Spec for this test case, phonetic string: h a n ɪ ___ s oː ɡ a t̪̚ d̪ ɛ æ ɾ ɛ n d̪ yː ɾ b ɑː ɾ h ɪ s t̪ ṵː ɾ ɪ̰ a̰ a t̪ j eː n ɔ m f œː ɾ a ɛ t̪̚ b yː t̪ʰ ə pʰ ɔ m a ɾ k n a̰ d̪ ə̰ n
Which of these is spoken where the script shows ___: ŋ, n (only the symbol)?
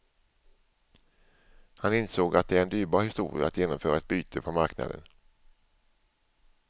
n